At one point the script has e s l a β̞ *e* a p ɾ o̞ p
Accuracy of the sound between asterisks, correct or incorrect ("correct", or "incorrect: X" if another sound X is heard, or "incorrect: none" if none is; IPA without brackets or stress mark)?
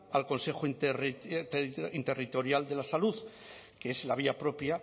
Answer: incorrect: i